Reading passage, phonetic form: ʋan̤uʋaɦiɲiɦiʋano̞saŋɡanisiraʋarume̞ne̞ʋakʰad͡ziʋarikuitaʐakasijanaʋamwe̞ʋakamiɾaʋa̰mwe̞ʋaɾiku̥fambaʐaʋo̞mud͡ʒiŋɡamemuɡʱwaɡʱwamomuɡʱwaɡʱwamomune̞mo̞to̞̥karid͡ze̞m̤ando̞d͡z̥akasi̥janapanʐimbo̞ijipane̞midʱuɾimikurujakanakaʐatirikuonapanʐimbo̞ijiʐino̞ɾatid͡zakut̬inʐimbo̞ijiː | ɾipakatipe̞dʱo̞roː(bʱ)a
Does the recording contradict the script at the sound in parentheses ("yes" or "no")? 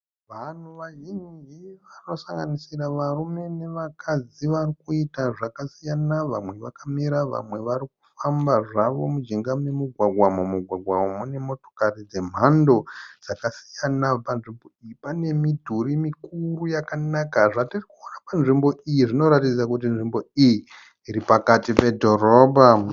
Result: no